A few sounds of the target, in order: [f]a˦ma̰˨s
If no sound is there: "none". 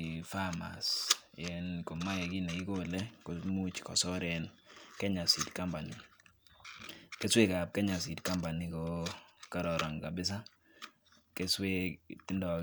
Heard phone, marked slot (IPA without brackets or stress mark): f